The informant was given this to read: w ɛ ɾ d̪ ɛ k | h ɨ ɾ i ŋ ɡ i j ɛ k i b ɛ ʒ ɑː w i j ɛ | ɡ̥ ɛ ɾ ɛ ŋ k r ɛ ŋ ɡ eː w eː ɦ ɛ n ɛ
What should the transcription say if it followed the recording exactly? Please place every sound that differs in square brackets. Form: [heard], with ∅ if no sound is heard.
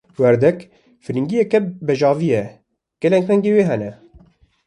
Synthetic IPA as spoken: w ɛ ɾ d̪ ɛ k | [f] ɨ ɾ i ŋ ɡ i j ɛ k [ɛ] b ɛ ʒ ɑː [v] i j ɛ | ɡ̥ ɛ [l] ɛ ŋ k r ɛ ŋ ɡ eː w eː ɦ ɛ n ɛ